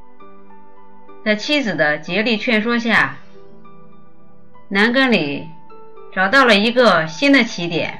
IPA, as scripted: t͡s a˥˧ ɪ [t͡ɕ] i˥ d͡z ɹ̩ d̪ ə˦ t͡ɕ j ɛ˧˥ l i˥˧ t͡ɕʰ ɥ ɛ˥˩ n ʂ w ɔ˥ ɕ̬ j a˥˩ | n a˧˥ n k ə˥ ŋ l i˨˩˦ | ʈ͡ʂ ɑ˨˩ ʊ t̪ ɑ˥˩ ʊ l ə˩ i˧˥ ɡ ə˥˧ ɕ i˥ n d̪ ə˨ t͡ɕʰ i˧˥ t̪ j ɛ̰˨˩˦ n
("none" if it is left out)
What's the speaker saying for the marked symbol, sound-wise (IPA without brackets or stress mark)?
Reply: t͡ɕʰ